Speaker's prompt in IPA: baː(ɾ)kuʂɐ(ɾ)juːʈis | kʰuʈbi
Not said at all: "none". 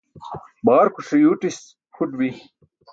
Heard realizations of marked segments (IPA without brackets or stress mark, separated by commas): ɾ, none